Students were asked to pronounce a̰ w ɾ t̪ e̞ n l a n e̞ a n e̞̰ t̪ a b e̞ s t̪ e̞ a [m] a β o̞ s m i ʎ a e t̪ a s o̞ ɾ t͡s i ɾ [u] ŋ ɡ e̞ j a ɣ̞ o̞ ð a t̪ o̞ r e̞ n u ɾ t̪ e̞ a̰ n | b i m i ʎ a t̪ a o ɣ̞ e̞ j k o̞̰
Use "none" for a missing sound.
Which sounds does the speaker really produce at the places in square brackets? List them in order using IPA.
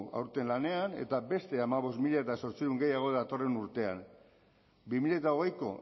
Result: m, u

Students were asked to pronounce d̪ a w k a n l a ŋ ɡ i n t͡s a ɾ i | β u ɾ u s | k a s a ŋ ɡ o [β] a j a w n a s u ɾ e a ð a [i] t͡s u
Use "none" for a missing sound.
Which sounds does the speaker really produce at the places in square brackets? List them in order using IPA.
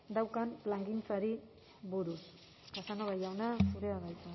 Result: β, j

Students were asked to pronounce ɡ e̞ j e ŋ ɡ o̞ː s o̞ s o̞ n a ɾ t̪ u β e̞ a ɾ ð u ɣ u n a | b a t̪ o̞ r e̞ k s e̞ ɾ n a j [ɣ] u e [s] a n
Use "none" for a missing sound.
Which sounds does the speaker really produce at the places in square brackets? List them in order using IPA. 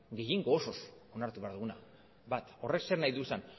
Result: ð, s

